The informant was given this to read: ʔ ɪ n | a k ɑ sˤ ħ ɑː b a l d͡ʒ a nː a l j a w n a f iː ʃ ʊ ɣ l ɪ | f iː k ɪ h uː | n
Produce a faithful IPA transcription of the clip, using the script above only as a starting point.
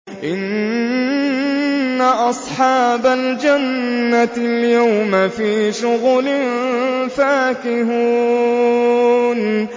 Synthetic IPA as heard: ʔ ɪ n | a ʔ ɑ sˤ ħ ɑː b a l d͡ʒ a nː a l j a w m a f iː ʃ ʊ ɣ l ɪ | f aː k ɪ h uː | n